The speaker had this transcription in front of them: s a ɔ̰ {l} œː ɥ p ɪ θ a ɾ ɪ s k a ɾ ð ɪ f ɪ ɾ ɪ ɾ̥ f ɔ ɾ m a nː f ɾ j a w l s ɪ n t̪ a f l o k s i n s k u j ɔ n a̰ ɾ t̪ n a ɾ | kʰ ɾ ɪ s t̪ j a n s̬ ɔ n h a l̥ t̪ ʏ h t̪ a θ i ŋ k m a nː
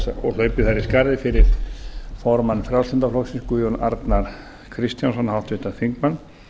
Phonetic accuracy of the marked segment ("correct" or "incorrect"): correct